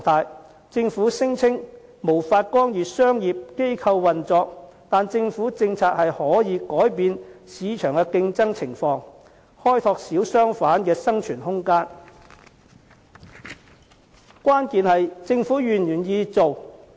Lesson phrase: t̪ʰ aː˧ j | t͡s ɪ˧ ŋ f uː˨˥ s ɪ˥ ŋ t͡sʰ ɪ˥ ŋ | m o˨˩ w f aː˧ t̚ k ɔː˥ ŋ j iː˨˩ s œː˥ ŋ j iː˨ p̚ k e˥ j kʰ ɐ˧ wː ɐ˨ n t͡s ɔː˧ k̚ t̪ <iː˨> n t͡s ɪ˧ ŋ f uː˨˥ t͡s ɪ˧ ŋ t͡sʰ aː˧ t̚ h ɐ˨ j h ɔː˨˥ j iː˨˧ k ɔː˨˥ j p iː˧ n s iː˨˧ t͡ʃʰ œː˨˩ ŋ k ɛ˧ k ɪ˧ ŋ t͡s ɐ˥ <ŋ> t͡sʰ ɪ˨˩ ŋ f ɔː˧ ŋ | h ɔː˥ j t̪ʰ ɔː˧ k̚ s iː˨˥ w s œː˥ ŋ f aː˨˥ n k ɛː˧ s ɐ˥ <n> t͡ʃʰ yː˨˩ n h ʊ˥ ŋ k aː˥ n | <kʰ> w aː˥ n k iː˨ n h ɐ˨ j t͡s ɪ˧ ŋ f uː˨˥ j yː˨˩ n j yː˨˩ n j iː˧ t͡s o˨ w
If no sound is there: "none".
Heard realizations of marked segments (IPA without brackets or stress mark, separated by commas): aː˨, ŋ, ŋ, k